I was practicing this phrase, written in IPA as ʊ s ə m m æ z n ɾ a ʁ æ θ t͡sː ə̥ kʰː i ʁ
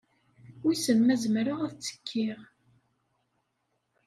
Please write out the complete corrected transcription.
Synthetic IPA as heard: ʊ s ə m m æ z m ɾ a ʁ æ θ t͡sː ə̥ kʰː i ʁ